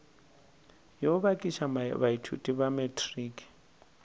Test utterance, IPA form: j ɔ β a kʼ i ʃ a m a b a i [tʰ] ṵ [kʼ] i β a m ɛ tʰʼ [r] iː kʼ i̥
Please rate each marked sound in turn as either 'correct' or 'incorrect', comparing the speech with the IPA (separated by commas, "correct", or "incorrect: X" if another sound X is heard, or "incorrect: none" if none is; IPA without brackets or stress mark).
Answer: correct, incorrect: tʼ, correct